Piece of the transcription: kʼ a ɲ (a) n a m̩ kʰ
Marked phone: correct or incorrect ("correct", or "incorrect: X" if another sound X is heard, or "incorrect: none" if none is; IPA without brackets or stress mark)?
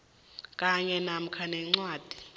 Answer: incorrect: ɛ